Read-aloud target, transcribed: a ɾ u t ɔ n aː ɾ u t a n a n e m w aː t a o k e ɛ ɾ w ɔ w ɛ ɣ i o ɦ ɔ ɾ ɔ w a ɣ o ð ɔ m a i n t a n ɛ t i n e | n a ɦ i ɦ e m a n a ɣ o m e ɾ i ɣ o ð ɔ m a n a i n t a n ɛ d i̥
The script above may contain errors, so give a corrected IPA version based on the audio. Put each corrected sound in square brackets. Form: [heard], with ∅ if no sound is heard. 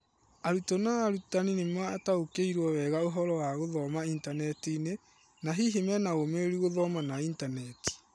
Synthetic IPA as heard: a ɾ u t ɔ n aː ɾ u t a n [i] n e m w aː t a o k e [i] ɾ w ɔ w ɛ ɣ [a] o ɦ ɔ ɾ ɔ w a ɣ o ð ɔ m a i n t a n ɛ t i n e | n a ɦ i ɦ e m [ɛ] n a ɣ o m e ɾ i ɣ o ð ɔ m a n a i n t a n ɛ [t] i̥

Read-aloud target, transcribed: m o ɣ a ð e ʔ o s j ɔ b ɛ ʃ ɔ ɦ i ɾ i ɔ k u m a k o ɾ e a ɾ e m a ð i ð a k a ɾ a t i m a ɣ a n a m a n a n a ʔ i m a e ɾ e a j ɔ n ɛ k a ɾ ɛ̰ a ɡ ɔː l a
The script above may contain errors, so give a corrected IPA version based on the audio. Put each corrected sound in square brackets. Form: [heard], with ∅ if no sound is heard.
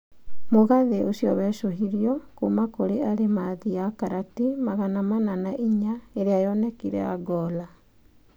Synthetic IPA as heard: m o ɣ a ð e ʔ o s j ɔ [β] ɛ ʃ [o] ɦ i ɾ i ɔ k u m a k o ɾ e a ɾ e m a ð i [∅] a k a ɾ a t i m a ɣ a n a m a n a n a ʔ i [ɲ] a e ɾ e a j ɔ n ɛ k [i] ɾ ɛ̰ a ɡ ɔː l a

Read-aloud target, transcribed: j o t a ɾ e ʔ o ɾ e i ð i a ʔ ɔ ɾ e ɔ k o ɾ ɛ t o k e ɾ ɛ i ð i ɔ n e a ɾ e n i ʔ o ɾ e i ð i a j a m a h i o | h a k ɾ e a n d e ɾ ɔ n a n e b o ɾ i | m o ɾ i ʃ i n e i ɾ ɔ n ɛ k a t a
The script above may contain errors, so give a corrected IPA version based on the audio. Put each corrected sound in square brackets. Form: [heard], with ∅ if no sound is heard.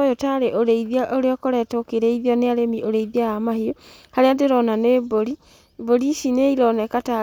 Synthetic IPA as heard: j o t a ɾ e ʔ o ɾ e i ð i a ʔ [o] ɾ e ɔ k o ɾ ɛ t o k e ɾ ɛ i ð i ɔ n e a ɾ e [m] i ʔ o ɾ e i ð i a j a m a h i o | h a [∅] ɾ e a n d e ɾ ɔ n a n e b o ɾ i | [b] o ɾ i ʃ i n e i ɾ ɔ n ɛ k a t a

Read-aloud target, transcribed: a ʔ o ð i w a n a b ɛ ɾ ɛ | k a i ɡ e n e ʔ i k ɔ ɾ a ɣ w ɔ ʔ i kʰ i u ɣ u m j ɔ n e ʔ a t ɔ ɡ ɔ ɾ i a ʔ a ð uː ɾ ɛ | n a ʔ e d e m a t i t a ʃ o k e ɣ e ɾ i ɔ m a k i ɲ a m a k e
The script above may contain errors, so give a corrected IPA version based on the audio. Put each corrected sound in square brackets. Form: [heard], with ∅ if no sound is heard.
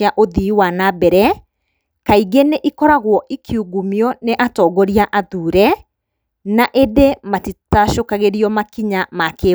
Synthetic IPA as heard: a ʔ o ð i w a n a b ɛ ɾ ɛ | k a i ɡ e n e ʔ i k ɔ ɾ a ɣ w ɔ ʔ i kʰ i u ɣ u m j ɔ n e ʔ a t ɔ ɡ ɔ ɾ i a ʔ a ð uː ɾ ɛ | n a ʔ e d e m a t i t a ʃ o k [a] ɣ e ɾ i ɔ m a k i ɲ a m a k e

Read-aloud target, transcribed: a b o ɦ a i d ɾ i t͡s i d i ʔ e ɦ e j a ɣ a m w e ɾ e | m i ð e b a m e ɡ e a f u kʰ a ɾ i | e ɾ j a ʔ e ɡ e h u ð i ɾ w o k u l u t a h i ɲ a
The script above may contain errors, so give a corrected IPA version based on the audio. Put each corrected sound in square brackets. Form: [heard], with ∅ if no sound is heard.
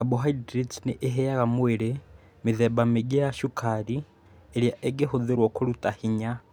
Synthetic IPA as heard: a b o ɦ a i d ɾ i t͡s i [n] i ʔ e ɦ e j a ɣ a m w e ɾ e | m i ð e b a m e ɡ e a [ʃ] u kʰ a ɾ i | e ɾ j a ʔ e ɡ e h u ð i ɾ w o k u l u t a h i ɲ a

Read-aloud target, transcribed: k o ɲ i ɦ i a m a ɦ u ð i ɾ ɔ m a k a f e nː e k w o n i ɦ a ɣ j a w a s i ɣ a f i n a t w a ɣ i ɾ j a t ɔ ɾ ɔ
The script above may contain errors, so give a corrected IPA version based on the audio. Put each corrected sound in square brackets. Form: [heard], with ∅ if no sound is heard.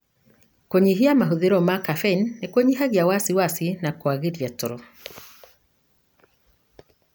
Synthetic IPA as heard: k o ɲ i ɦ i a m a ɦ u ð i ɾ ɔ m a k a f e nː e k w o [ɲ] i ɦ a ɣ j a w a s i [w] a [s] i n a [k] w a ɣ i ɾ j a t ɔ ɾ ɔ

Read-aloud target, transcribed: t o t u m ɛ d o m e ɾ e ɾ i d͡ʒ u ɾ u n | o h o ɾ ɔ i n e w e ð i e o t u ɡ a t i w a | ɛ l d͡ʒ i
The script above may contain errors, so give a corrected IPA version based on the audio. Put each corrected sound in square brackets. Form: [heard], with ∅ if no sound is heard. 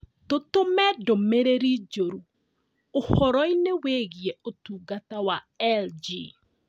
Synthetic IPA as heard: t o t [o] m ɛ d o m e ɾ e ɾ i d͡ʒ [o] ɾ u [∅] | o h [ɔ] ɾ ɔ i n e w e [ɣ] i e o t u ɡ a t [a] w a | ɛ l d͡ʒ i

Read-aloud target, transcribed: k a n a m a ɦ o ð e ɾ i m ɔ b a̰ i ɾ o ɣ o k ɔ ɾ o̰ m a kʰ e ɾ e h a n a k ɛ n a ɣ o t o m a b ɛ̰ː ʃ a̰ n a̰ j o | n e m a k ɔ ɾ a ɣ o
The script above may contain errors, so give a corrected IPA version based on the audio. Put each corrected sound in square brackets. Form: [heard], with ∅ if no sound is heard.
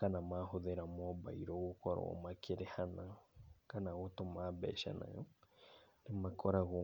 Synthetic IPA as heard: k a n a m a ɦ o ð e ɾ [a] m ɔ b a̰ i ɾ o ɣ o k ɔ ɾ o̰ m a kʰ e ɾ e h a n a k [a] n a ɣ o t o m a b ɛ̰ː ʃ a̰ n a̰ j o | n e m a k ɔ ɾ a ɣ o

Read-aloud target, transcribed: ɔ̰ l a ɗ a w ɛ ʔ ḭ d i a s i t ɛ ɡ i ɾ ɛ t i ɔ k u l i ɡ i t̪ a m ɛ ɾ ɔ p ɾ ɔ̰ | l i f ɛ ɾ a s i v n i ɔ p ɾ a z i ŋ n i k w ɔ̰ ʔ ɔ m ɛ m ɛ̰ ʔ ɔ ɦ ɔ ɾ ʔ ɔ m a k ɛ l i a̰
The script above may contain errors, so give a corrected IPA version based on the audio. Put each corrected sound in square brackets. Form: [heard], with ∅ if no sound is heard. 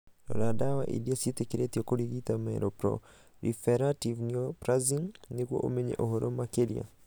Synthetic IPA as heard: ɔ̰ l a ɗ a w [a] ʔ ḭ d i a s i t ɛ [k] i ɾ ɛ t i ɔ k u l i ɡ i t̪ a m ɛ ɾ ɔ p ɾ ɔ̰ | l i f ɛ ɾ a [t] i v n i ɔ p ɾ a z i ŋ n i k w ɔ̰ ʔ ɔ m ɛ [ɲ] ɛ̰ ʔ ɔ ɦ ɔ ɾ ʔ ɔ m a k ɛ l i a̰

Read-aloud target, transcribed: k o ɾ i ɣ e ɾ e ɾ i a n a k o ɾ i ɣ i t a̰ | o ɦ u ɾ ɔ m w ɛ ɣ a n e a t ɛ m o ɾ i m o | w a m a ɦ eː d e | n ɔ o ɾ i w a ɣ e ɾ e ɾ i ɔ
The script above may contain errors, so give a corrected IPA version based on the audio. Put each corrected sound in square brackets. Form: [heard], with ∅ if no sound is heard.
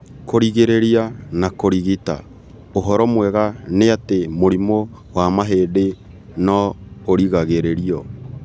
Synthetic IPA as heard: k o ɾ i ɣ e ɾ e ɾ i a n a k o ɾ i ɣ i t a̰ | o ɦ [ɔ] ɾ ɔ m w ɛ ɣ a n e a t [e] m o ɾ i m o | w a m a ɦ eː d e | n ɔ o ɾ i [ɣ] a ɣ e ɾ e ɾ i ɔ

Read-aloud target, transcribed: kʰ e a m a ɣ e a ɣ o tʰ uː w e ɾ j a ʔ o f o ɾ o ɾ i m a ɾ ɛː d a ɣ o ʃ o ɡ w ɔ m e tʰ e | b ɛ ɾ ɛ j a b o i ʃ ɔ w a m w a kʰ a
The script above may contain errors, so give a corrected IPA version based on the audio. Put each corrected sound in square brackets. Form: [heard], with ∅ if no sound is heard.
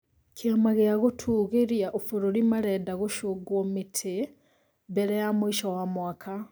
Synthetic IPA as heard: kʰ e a m a ɣ e a ɣ o tʰ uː [ɣ] e ɾ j a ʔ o f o ɾ o ɾ i m a ɾ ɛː d a ɣ o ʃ o ɡ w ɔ m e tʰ e | b ɛ ɾ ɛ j a [m] o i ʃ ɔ w a m w a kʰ a

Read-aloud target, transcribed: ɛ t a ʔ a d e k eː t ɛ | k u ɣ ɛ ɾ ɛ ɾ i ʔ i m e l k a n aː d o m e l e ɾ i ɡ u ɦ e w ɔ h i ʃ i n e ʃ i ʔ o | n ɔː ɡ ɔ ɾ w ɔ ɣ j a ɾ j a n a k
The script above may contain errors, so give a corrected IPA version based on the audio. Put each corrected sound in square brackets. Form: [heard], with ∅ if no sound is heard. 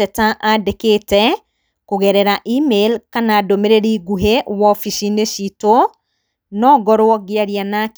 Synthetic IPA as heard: ɛ t a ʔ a d e k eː t ɛ | k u ɣ ɛ ɾ ɛ ɾ [a] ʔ i m e l k a n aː d o m e [ɾ] e ɾ i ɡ u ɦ e w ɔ [f] i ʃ i n e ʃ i [t] o | n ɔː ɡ ɔ ɾ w ɔ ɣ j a ɾ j a n a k

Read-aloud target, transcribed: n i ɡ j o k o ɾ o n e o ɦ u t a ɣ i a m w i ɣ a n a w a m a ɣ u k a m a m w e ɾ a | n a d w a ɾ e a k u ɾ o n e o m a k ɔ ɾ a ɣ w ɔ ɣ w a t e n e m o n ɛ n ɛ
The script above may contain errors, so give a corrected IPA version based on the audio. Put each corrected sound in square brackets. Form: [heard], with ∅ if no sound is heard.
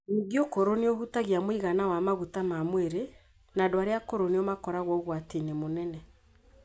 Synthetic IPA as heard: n i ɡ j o k o ɾ o n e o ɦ u t a ɣ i a m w i ɣ a n a w a m a ɣ u [t] a m a m w e ɾ [e] | n a d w a ɾ e a k [o] ɾ o n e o m a k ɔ ɾ a ɣ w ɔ ɣ w a t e n e m o n ɛ n ɛ

